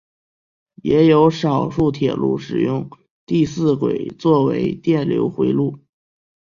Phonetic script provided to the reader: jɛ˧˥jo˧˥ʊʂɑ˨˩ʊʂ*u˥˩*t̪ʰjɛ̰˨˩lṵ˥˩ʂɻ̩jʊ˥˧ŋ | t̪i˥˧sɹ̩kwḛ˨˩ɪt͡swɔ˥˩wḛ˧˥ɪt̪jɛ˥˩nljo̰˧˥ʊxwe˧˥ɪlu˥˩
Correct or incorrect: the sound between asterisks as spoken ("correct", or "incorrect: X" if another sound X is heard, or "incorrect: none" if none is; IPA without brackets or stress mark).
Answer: correct